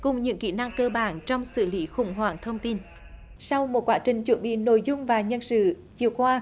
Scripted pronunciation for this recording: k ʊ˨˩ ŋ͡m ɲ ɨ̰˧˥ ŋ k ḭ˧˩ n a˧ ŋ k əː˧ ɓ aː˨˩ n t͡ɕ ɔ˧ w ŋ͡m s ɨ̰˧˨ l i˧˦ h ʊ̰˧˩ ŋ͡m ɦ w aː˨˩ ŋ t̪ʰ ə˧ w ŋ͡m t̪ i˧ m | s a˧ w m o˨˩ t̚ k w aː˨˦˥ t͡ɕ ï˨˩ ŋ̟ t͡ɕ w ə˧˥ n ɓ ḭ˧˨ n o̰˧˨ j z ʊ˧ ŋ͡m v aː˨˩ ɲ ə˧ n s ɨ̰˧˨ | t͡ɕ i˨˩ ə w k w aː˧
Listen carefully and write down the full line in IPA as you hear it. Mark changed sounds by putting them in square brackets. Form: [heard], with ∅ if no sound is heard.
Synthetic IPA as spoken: k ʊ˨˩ ŋ͡m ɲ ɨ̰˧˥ ŋ k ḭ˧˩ n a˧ ŋ k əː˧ ɓ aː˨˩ n t͡ɕ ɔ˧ w ŋ͡m s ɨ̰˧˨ l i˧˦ [x] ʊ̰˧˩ ŋ͡m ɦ w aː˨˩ ŋ t̪ʰ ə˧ w ŋ͡m t̪ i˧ [n] | s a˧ w m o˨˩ t̚ k w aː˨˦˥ t͡ɕ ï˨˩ ŋ̟ t͡ɕ w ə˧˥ n ɓ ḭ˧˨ n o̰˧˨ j z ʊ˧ ŋ͡m v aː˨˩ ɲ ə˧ n s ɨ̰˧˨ | t͡ɕ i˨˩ ə w k w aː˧

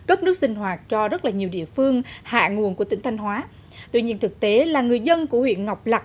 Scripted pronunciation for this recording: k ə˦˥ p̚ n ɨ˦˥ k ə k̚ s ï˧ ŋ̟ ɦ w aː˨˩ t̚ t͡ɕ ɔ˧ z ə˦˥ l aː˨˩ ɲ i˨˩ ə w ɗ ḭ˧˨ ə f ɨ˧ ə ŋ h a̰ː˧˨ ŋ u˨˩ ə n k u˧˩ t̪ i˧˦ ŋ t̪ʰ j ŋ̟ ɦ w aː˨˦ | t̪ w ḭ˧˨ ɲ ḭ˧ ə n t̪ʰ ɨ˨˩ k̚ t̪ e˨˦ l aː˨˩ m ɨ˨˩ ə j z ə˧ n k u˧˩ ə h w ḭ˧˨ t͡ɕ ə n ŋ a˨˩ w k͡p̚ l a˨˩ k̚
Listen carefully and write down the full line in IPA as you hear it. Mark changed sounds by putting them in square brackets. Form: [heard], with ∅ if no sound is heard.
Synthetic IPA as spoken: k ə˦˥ p̚ n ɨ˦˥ [∅] ə k̚ s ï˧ ŋ̟ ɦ w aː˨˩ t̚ t͡ɕ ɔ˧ z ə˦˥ l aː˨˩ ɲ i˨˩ ə w ɗ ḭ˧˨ ə f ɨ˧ ə ŋ h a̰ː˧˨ ŋ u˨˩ ə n k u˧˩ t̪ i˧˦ ŋ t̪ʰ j ŋ̟ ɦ w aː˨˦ | t̪ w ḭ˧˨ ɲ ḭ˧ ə n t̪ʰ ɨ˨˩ k̚ t̪ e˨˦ l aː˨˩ [ŋ] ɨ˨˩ ə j z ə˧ n k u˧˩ ə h w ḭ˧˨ [∅] ə n ŋ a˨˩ w k͡p̚ l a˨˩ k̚

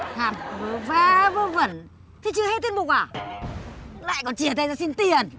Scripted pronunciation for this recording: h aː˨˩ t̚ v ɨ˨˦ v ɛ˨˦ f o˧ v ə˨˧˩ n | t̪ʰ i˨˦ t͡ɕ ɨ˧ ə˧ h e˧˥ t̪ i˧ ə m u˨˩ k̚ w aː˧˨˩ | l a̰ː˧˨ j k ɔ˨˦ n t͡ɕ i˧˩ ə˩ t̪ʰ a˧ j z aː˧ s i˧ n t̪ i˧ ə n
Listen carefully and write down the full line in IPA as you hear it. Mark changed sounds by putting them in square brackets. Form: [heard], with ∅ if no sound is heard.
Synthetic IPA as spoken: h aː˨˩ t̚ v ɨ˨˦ v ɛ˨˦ [v] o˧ v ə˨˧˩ n | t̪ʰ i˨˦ t͡ɕ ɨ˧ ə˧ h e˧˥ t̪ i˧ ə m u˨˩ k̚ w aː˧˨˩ | l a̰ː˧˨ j k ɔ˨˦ n t͡ɕ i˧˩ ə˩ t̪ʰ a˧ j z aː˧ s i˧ n t̪ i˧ ə n

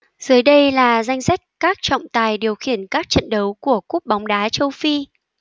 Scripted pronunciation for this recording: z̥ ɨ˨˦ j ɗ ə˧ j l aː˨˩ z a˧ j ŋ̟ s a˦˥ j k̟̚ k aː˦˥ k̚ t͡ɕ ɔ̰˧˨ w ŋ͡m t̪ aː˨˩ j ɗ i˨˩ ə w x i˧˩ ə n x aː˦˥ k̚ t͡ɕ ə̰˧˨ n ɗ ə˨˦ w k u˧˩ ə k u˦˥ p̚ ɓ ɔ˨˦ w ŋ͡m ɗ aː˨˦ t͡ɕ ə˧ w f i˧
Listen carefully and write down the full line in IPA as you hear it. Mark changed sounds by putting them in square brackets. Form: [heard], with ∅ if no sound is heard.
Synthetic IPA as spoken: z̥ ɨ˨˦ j ɗ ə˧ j l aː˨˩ z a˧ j ŋ̟ s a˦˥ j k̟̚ k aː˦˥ k̚ t͡ɕ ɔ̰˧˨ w ŋ͡m t̪ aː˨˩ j ɗ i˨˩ ə w x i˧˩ ə n [k] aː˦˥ k̚ t͡ɕ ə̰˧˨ n ɗ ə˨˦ w k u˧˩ ə k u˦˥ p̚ ɓ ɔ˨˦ w ŋ͡m ɗ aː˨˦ t͡ɕ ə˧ w f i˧

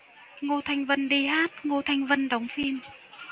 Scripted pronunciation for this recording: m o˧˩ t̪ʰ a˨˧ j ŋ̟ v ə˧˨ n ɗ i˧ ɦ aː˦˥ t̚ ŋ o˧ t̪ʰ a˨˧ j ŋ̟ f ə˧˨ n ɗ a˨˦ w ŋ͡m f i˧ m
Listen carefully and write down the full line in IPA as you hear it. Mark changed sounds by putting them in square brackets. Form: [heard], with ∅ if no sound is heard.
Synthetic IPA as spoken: [ŋ] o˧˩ t̪ʰ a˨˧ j ŋ̟ v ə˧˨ n ɗ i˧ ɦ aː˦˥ t̚ ŋ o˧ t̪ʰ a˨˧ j ŋ̟ [v] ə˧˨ n ɗ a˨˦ w ŋ͡m f i˧ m

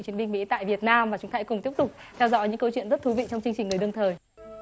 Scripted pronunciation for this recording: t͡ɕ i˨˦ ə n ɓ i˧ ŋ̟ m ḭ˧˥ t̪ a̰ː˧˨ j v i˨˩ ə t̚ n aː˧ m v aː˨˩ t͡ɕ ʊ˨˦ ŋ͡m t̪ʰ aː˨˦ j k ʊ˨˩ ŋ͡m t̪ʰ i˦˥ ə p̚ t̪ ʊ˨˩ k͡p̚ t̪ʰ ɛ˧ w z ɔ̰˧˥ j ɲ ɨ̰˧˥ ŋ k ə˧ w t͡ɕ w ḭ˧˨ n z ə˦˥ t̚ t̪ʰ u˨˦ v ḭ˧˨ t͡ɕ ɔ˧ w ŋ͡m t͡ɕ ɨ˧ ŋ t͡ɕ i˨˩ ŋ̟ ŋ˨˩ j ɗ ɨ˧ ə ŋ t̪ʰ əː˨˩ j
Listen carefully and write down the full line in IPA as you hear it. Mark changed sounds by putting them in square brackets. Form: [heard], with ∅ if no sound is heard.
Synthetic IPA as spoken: t͡ɕ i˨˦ ə n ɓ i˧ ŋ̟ m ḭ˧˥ t̪ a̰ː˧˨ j v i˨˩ ə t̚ n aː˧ m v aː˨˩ t͡ɕ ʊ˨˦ ŋ͡m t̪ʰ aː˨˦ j k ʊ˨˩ ŋ͡m [t̪] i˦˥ ə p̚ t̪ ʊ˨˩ k͡p̚ t̪ʰ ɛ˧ w z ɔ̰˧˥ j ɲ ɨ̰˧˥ ŋ k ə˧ w t͡ɕ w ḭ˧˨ n z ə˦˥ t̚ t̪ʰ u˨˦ v ḭ˧˨ t͡ɕ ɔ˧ w ŋ͡m t͡ɕ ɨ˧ ŋ t͡ɕ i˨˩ ŋ̟ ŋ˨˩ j ɗ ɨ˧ ə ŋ t̪ʰ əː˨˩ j

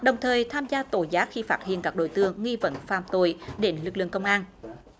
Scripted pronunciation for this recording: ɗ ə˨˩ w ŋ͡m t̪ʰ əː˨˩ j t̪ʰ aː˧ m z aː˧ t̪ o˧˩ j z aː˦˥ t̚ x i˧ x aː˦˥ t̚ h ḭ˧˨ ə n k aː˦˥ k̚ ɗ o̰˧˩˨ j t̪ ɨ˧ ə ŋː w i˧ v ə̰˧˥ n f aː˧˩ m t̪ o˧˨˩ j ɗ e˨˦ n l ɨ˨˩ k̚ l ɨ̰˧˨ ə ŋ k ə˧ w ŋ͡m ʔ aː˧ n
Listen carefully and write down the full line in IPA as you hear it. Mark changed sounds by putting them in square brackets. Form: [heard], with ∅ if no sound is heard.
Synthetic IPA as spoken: ɗ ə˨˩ w ŋ͡m t̪ʰ əː˨˩ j t̪ʰ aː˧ m z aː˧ t̪ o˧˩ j z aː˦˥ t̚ x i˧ [f] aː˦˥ t̚ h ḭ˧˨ ə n k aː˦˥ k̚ ɗ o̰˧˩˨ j t̪ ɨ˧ ə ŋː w i˧ v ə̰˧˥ n f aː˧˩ m t̪ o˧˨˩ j ɗ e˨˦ n l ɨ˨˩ k̚ l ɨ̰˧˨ ə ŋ k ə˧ w ŋ͡m ʔ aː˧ n

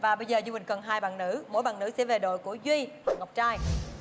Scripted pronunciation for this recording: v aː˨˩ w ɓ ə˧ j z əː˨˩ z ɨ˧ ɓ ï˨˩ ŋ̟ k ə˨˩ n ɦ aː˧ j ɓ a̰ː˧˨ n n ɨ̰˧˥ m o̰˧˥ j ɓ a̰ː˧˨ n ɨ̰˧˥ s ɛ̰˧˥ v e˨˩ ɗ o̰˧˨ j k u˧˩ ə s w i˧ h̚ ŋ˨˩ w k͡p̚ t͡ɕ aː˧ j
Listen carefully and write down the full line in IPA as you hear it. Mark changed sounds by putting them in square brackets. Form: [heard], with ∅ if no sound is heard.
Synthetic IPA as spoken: v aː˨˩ [∅] ɓ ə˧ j z əː˨˩ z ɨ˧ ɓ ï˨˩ ŋ̟ k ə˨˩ n ɦ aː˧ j ɓ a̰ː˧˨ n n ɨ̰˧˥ m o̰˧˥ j ɓ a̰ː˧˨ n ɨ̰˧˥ s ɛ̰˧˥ v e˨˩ ɗ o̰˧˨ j k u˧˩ ə [z] w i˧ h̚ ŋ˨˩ w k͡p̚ t͡ɕ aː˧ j

